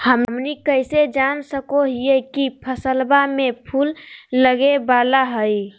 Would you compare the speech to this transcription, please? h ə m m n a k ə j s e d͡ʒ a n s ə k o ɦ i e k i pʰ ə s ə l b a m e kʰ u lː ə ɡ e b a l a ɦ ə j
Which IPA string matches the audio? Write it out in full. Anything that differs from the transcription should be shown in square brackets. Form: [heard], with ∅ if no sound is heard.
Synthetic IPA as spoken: h ə m m n [i] k ə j s e d͡ʒ a n s ə k o ɦ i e k i pʰ ə s ə l b a m e [pʰ] u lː ə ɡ e b a l a ɦ ə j